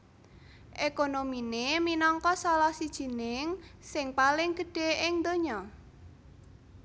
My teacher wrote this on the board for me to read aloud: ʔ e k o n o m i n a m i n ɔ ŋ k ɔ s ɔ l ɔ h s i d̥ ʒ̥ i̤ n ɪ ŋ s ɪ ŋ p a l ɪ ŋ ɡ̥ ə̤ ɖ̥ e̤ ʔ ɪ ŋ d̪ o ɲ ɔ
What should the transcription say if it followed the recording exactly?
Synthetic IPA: ʔ e k o n o m i n e m i n ɔ ŋ k ɔ s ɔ l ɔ h s i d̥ ʒ̥ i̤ n ɪ ŋ s ɪ ŋ p a l ɪ ŋ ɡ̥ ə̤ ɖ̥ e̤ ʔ ɪ ŋ d̪ o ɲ ɔ